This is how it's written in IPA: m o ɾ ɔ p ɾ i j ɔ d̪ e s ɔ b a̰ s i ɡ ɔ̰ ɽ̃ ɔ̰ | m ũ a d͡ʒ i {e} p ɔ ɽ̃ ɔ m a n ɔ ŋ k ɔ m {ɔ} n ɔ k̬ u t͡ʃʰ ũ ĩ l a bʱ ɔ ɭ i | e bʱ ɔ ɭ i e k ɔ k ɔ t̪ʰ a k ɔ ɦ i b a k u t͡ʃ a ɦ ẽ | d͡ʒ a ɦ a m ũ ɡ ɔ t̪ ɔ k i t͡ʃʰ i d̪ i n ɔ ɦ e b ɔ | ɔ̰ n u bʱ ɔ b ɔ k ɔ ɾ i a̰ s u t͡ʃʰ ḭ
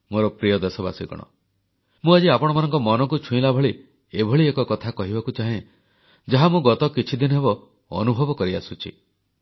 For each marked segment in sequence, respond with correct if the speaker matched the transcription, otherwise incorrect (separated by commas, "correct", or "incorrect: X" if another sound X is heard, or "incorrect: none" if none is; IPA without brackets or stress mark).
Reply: incorrect: a, correct